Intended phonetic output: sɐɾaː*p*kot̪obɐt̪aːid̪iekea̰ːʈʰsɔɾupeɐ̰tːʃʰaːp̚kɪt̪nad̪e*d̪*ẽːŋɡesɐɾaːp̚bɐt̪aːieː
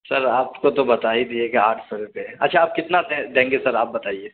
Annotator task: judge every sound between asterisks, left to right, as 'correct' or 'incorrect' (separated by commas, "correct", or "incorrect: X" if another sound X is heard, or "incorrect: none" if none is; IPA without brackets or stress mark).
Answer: correct, correct